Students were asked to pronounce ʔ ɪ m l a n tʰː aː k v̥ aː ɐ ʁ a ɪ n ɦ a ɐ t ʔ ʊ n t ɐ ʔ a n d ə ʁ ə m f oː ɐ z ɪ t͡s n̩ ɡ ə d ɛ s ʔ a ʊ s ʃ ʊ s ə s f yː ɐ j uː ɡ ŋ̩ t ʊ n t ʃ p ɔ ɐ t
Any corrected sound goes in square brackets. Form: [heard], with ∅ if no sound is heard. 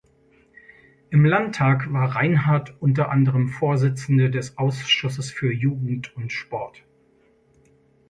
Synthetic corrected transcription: ʔ ɪ m l a n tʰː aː k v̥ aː ɐ ʁ a ɪ n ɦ a ɐ t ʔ ʊ n t ɐ ʔ a n d ə ʁ ə m f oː ɐ z ɪ t͡s n̩ [d] ə d ɛ s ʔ a ʊ s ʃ ʊ s ə s f yː ɐ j uː ɡ ŋ̩ t ʊ n t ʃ p ɔ ɐ t